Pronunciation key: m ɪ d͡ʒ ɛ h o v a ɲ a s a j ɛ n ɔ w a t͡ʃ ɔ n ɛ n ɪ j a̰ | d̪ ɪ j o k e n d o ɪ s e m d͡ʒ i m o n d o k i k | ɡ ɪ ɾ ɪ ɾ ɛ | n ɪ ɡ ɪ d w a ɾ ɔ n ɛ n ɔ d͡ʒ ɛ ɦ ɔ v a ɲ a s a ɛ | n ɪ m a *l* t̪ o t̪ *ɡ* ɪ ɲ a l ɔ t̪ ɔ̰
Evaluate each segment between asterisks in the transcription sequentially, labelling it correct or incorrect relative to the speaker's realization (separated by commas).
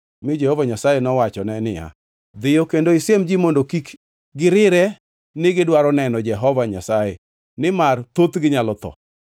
incorrect, correct